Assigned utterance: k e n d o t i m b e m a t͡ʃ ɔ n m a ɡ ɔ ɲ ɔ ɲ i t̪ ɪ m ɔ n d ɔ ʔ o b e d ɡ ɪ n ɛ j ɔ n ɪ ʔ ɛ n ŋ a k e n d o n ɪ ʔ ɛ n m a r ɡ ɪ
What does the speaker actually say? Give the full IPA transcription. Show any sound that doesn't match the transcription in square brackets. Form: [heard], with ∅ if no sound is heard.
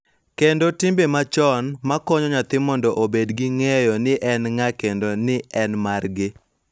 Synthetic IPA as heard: k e n d o t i m b e m a t͡ʃ ɔ n m a [k] ɔ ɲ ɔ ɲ [a] t̪ ɪ m ɔ n d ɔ ʔ o b e d ɡ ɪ [ŋ] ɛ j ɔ n ɪ ʔ ɛ n ŋ a k e n d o n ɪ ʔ ɛ n m a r ɡ ɪ